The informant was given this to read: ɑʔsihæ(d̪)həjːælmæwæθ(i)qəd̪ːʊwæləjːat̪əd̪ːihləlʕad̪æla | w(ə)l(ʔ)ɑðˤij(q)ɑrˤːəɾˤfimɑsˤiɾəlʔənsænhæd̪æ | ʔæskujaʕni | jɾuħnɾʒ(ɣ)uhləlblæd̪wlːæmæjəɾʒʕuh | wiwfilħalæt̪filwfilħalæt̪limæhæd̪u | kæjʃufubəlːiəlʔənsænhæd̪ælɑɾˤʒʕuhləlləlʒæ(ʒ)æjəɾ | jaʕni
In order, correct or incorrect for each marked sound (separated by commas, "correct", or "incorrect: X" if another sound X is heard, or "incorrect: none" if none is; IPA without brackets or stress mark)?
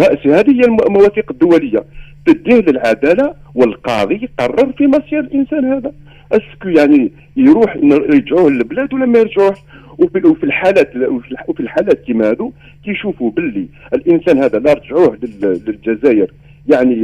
correct, correct, correct, incorrect: q, correct, incorrect: ʕ, incorrect: z